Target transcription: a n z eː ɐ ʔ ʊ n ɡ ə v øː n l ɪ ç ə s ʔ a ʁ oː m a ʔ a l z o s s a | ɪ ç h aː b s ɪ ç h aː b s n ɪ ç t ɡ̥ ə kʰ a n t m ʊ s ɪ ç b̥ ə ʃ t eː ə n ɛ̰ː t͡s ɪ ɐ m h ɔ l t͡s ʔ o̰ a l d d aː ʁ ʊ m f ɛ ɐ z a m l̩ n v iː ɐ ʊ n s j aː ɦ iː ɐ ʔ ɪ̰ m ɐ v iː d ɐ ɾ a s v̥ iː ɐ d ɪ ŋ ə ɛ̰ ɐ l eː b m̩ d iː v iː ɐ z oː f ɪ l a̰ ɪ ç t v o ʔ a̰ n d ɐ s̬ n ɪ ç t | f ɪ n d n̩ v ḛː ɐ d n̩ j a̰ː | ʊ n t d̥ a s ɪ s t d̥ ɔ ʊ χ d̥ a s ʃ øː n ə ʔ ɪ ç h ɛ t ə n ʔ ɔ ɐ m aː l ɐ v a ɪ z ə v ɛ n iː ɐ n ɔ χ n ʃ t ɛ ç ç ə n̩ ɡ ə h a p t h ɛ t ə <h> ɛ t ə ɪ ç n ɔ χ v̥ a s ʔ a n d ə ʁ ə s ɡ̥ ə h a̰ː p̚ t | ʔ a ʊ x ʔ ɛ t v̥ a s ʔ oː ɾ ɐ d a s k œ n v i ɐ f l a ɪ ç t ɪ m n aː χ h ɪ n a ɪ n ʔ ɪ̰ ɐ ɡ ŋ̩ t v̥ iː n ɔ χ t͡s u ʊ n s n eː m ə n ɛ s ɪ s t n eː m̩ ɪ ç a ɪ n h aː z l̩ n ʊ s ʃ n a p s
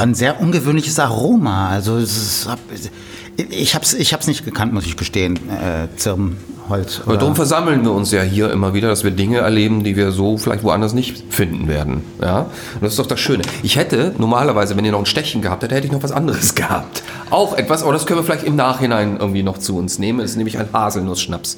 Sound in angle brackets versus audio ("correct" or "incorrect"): correct